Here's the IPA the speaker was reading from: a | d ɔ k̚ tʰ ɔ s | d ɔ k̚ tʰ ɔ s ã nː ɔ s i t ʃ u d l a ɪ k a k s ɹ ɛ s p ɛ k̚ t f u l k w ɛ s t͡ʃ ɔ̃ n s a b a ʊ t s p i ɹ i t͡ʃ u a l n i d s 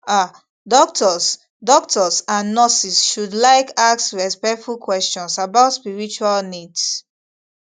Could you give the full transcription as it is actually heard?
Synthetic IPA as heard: a | d ɔ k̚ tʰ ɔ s | d ɔ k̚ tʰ ɔ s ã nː ɔ s i s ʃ u d l a ɪ k a k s ɹ ɛ s p ɛ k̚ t f u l k w ɛ s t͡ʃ ɔ̃ n s a b a ʊ t s p i ɹ i t͡ʃ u a l n i d s